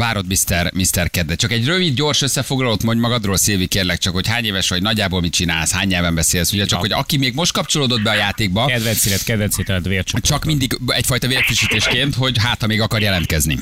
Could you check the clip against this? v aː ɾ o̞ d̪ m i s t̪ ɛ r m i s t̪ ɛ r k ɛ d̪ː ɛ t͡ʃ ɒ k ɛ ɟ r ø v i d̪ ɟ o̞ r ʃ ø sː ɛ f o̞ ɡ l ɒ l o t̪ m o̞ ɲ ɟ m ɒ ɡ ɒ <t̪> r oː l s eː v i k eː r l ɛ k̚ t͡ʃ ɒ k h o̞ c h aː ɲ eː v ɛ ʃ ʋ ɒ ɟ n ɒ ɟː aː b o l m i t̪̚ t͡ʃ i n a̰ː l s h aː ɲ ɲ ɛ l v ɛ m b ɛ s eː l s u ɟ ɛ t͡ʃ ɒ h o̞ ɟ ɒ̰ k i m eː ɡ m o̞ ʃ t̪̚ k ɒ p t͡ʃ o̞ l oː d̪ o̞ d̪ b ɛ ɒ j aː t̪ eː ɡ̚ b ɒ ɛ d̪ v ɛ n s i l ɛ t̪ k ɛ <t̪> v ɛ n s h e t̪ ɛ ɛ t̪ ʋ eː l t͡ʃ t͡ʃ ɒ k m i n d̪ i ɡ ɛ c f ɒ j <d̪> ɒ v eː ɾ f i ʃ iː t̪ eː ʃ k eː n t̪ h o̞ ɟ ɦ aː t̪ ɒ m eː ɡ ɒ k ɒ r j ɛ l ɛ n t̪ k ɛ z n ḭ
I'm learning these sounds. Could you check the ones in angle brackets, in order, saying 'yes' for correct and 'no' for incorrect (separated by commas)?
no, no, no